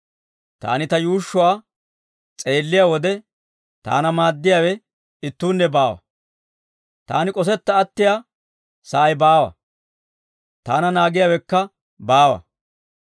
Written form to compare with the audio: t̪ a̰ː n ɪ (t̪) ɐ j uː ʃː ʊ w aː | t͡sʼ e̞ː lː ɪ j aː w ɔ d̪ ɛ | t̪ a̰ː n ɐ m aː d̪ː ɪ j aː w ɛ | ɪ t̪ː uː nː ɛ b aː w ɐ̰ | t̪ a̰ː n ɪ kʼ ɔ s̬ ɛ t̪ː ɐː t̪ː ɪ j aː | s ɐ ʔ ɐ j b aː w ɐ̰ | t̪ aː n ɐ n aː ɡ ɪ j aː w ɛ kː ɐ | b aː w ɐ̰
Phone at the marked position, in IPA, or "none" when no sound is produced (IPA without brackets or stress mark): t̪